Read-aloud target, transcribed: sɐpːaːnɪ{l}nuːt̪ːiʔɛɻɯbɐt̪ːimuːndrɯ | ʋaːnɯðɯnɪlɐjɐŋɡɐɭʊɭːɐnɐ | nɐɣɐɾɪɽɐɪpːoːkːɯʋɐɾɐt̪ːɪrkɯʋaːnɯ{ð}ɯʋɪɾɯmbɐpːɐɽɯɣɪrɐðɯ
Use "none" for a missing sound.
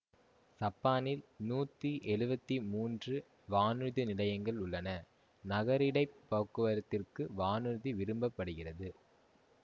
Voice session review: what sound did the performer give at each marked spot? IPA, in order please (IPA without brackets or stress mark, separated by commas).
l, ð